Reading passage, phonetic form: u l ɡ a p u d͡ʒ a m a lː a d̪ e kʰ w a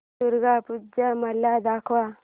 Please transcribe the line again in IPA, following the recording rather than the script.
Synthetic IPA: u ɾ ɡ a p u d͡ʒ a m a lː a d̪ a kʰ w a